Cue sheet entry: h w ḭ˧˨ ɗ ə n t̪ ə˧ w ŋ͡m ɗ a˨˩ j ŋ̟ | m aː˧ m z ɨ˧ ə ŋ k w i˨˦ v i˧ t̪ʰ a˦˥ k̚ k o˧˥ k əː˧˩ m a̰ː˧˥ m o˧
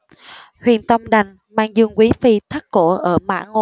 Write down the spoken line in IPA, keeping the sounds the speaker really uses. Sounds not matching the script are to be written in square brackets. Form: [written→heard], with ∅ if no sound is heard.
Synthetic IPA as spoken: h w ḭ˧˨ [ɗ→∅] ə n t̪ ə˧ w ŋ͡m ɗ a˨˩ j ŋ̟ | m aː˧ [m→ŋ] z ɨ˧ ə ŋ k w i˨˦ [v→f] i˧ t̪ʰ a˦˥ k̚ k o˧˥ [k→ʔ] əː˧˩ m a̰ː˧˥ [m→ŋ] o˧